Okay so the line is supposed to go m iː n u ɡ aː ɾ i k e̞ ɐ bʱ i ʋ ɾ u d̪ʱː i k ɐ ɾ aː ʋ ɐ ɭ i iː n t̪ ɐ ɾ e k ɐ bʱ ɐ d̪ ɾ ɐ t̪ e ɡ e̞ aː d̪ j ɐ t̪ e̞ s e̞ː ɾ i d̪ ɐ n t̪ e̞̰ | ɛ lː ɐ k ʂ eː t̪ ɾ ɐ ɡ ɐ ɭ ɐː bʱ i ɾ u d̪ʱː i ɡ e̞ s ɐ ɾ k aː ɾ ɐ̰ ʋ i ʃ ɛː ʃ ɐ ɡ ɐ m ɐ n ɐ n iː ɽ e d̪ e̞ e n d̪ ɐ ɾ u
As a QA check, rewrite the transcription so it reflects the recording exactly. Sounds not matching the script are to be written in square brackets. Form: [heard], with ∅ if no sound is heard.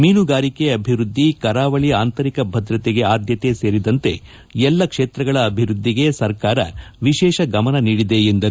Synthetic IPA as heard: m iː n u ɡ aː ɾ i k e̞ ɐ bʱ i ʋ ɾ u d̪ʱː i k ɐ ɾ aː ʋ ɐ ɭ i [aː] n t̪ ɐ ɾ [i] k ɐ bʱ ɐ d̪ ɾ ɐ t̪ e ɡ e̞ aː d̪ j ɐ t̪ e̞ s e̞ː ɾ i d̪ ɐ n t̪ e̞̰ | ɛ lː ɐ k ʂ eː t̪ ɾ ɐ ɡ ɐ ɭ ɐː bʱ i ɾ u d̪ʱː i ɡ e̞ s ɐ ɾ k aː ɾ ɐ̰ ʋ i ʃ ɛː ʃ ɐ ɡ ɐ m ɐ n ɐ n iː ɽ [i] d̪ e̞ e n d̪ ɐ ɾ u

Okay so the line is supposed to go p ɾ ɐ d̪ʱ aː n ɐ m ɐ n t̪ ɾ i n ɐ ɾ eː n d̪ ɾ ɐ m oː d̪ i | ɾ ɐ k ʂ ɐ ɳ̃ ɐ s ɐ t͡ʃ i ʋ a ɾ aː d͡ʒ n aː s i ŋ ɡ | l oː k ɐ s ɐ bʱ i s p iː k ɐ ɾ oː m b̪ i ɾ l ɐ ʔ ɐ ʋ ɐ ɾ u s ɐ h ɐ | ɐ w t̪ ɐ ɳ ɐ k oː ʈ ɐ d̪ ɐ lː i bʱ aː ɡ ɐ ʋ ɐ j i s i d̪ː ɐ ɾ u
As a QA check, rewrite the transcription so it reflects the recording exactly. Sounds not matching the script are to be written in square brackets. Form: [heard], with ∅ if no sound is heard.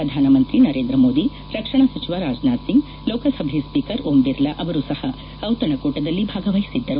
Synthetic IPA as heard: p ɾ ɐ d̪ʱ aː n ɐ m ɐ n t̪ ɾ i n ɐ ɾ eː n d̪ ɾ ɐ m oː d̪ i | ɾ ɐ k ʂ ɐ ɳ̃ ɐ s ɐ t͡ʃ i ʋ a ɾ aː d͡ʒ n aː s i ŋ ɡ | l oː k ɐ s ɐ bʱ i s p iː k ɐ ɾ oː m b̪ i ɾ l ɐ ʔ ɐ ʋ ɐ ɾ u s ɐ h ɐ | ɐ w t̪ ɐ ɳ ɐ k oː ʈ ɐ d̪ ɐ lː i bʱ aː ɡ ɐ ʋ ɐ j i s i d̪ː ɐ ɾ u

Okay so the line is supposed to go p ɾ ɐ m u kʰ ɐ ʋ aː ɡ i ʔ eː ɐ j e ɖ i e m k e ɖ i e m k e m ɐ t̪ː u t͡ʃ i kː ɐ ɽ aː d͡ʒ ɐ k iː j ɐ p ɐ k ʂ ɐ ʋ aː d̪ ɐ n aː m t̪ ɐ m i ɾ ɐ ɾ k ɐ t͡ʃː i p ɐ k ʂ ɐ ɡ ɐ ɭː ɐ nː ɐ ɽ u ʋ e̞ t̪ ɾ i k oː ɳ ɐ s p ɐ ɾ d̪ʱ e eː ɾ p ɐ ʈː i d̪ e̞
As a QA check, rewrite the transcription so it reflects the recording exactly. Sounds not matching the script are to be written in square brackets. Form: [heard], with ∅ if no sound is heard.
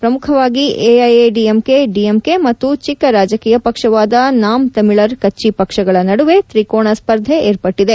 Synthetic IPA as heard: p ɾ ɐ m u kʰ ɐ ʋ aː ɡ i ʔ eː ɐ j e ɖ i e m k e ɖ i e m k e m ɐ t̪ː u t͡ʃ i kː ɐ [ɾ] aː d͡ʒ ɐ k iː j ɐ p ɐ k ʂ ɐ ʋ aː d̪ ɐ n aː m t̪ ɐ m i [ɭ] ɐ ɾ k ɐ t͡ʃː i p ɐ k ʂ ɐ ɡ ɐ [ɭ] ɐ [n] ɐ ɽ u ʋ e̞ t̪ ɾ i k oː ɳ ɐ s p ɐ ɾ d̪ʱ e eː ɾ p ɐ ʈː i d̪ e̞

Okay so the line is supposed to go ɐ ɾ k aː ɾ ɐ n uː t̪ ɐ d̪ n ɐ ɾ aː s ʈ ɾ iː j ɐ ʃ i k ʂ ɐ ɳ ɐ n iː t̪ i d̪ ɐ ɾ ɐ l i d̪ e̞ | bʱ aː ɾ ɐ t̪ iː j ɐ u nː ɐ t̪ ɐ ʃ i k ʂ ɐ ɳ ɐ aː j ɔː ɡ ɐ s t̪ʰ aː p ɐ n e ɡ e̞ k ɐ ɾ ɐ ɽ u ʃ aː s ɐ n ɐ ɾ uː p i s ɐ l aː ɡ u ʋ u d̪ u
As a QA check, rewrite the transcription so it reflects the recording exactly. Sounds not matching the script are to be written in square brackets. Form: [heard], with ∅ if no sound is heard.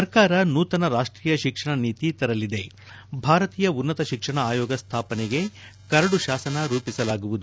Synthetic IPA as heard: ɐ ɾ k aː ɾ ɐ n uː t̪ ɐ [∅] n ɐ ɾ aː [ʂ] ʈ ɾ iː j ɐ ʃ i k ʂ ɐ ɳ ɐ n iː t̪ i [t̪] ɐ ɾ ɐ l i d̪ e̞ | bʱ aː ɾ ɐ t̪ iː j ɐ u nː ɐ t̪ ɐ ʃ i k ʂ ɐ ɳ ɐ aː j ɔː ɡ ɐ s t̪ʰ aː p ɐ n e ɡ e̞ k ɐ ɾ ɐ ɽ u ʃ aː s ɐ n ɐ ɾ uː p i s ɐ l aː ɡ u ʋ u d̪ u

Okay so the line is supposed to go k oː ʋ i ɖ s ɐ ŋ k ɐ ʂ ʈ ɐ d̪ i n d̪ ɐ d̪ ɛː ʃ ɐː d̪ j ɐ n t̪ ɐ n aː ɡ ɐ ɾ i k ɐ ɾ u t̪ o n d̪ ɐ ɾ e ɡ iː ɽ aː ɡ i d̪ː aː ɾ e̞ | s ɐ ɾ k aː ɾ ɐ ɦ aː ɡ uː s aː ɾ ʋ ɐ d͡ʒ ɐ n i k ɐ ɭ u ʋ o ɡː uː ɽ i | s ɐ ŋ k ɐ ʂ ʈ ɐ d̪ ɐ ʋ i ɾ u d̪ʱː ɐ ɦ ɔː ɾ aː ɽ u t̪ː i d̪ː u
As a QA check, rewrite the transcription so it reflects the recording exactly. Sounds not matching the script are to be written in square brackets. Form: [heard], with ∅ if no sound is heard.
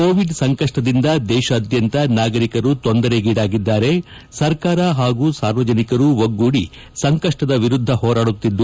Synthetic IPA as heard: k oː ʋ i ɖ s ɐ ŋ k ɐ ʂ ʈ ɐ d̪ i n d̪ ɐ d̪ ɛː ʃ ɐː d̪ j ɐ n t̪ ɐ n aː ɡ ɐ ɾ i k ɐ ɾ u t̪ o n d̪ ɐ ɾ e ɡ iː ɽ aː ɡ i d̪ː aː ɾ e̞ | s ɐ ɾ k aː ɾ ɐ ɦ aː ɡ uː s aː ɾ ʋ ɐ d͡ʒ ɐ n i k ɐ [ɾ] u ʋ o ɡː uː ɽ i | s ɐ ŋ k ɐ ʂ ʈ ɐ d̪ ɐ ʋ i ɾ u d̪ʱː ɐ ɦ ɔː ɾ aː ɽ u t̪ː i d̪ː u

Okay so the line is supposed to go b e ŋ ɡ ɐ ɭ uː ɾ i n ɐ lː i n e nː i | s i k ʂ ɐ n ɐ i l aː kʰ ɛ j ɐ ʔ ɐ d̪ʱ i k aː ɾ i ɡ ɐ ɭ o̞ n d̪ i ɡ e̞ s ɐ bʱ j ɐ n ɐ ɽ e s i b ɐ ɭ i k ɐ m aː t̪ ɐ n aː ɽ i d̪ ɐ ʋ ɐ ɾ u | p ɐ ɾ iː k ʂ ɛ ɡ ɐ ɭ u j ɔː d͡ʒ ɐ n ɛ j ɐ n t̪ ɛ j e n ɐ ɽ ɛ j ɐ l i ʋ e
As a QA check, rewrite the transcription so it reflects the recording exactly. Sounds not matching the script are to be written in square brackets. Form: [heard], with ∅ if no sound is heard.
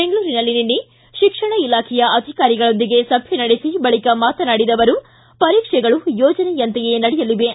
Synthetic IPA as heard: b e ŋ ɡ ɐ ɭ uː ɾ i n ɐ lː i n [i] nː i | [ʃ] i k ʂ ɐ [ɳ] ɐ i l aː kʰ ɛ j ɐ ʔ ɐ d̪ʱ i k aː ɾ i ɡ ɐ ɭ o̞ n d̪ i ɡ e̞ s ɐ bʱ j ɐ n ɐ ɽ e s i b ɐ ɭ i k ɐ m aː t̪ ɐ n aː ɽ i d̪ ɐ ʋ ɐ ɾ u | p ɐ ɾ iː k ʂ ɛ ɡ ɐ ɭ u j ɔː d͡ʒ ɐ n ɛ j ɐ n t̪ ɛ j e n ɐ ɽ ɛ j ɐ l i ʋ e

